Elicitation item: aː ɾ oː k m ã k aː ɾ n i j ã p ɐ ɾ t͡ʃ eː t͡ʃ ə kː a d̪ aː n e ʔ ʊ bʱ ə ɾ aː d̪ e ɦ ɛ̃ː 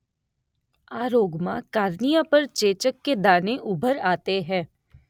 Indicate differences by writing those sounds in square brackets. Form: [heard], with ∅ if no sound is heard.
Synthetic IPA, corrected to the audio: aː ɾ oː [ɡ] m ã k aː ɾ n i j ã p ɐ ɾ t͡ʃ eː t͡ʃ ə kː [e] d̪ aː n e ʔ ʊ bʱ ə ɾ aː [t̪] e ɦ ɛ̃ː